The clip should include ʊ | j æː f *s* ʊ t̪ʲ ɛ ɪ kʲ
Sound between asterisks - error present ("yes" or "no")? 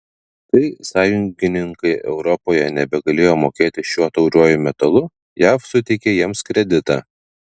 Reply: no